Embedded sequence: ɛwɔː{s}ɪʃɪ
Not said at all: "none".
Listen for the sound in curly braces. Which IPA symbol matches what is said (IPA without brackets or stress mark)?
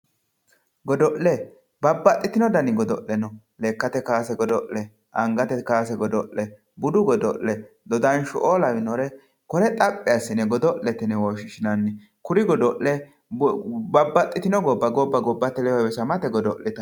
ʃ